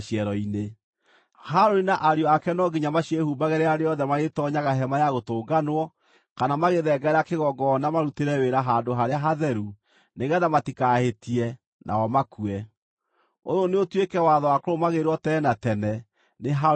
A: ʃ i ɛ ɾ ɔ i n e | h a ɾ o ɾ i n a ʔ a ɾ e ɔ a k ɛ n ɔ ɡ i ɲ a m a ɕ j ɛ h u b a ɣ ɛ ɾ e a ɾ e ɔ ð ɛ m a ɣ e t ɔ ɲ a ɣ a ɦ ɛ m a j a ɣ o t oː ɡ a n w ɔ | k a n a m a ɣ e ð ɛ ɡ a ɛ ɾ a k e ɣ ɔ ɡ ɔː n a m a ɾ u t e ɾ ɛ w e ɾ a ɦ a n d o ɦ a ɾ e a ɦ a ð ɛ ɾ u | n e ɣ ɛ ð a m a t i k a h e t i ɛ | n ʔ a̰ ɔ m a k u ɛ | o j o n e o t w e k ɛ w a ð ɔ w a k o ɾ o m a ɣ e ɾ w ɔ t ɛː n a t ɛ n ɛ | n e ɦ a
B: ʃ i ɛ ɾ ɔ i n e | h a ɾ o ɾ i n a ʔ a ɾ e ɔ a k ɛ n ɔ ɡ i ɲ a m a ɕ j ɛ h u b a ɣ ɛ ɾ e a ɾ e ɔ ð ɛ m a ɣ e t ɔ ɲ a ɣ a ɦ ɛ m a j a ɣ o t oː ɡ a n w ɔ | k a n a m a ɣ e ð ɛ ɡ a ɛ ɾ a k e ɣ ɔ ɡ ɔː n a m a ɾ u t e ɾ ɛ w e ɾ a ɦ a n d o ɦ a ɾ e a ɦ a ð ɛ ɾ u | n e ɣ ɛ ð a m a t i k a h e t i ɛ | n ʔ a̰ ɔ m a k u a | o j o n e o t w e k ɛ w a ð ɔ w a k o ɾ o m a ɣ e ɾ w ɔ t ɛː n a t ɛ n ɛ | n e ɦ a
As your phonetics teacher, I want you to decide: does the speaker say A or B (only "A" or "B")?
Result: A